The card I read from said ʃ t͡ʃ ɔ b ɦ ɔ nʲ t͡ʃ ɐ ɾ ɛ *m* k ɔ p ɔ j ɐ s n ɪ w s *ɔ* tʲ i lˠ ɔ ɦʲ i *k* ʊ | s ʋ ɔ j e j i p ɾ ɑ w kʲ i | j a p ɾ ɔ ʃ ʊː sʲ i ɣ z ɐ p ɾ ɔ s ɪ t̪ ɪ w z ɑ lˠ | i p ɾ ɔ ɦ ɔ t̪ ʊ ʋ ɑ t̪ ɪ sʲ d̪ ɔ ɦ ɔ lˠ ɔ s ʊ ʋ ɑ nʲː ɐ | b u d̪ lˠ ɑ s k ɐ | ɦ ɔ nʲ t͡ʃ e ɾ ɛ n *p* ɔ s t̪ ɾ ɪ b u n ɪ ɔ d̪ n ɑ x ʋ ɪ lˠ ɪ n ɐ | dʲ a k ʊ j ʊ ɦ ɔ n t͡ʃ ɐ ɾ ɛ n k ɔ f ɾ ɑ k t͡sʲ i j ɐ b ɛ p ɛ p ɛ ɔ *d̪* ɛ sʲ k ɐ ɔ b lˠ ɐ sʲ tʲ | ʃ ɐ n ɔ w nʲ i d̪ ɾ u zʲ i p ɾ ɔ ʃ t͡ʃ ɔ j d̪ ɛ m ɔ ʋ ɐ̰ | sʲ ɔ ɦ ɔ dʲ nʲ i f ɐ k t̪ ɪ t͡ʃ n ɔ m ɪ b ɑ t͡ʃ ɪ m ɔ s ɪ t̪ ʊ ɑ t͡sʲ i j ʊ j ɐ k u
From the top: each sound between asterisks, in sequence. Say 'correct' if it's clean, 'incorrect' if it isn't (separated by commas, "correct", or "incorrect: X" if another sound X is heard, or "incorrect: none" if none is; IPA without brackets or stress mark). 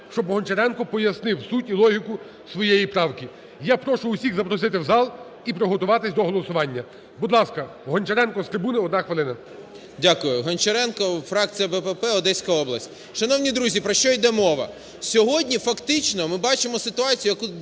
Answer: incorrect: n, incorrect: u, correct, incorrect: k, correct